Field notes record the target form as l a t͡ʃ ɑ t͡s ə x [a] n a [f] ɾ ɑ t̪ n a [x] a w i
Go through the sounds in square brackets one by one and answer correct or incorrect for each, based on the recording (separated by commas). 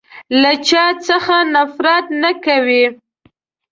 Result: correct, correct, incorrect